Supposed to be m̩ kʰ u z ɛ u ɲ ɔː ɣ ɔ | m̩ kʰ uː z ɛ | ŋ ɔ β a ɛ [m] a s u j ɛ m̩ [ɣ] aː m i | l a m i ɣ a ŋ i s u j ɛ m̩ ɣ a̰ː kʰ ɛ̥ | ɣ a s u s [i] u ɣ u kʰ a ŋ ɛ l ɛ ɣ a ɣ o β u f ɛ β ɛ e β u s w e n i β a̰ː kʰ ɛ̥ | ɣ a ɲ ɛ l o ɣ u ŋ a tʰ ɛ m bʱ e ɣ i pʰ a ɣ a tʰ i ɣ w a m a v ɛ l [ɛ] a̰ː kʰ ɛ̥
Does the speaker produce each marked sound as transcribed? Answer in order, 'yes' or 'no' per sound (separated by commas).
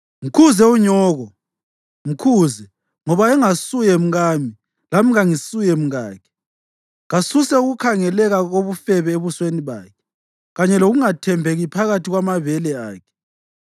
no, yes, no, yes